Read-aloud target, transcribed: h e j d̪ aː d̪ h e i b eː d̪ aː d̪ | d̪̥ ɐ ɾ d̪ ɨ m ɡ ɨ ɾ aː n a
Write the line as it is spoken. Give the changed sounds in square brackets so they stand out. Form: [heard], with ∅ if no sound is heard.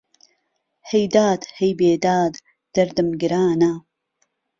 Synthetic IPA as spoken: h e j d̪ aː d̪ h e [j] b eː d̪ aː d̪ | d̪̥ ɐ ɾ d̪ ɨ m ɡ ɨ ɾ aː n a